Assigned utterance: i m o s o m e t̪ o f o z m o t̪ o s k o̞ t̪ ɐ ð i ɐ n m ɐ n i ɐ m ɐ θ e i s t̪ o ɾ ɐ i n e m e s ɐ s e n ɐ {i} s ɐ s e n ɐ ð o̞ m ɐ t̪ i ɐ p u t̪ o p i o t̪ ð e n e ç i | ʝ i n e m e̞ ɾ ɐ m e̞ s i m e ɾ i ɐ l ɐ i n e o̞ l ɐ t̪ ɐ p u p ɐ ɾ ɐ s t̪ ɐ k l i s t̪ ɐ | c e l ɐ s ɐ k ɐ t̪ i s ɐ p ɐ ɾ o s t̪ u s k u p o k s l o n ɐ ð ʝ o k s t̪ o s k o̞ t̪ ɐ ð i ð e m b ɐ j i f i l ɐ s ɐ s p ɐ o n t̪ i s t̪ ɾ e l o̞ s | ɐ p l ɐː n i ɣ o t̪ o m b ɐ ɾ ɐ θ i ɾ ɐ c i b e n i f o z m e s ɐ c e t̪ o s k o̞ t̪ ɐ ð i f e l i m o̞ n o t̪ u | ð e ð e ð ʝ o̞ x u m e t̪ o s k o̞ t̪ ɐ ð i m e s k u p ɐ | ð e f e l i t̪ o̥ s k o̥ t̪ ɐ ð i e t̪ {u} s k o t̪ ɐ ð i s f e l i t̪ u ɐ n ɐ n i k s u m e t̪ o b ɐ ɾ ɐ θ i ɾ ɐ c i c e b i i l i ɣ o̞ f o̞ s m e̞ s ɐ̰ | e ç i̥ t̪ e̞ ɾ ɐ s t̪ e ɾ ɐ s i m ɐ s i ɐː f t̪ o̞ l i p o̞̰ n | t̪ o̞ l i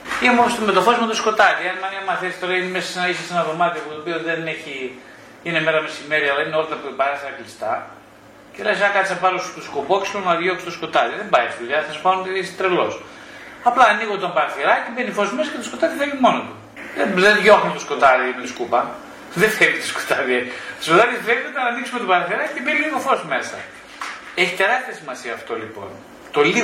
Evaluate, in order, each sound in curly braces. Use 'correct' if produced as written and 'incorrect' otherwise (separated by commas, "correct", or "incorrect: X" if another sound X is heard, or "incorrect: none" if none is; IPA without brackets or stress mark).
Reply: correct, incorrect: o